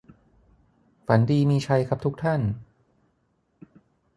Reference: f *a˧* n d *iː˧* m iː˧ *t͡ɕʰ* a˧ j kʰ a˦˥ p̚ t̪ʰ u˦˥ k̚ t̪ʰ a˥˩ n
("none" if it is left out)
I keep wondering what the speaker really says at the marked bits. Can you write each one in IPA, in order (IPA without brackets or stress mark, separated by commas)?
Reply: a˩˦, iː˧, t͡ɕʰ